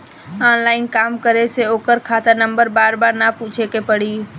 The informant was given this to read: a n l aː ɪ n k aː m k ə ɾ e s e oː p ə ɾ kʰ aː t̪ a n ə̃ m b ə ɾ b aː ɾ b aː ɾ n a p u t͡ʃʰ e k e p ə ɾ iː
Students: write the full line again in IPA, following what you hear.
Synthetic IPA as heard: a n l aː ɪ n k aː m k ə ɾ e s e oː k ə ɾ kʰ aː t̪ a n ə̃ m b ə ɾ b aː ɾ b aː ɾ n a p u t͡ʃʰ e k e p ə ɽ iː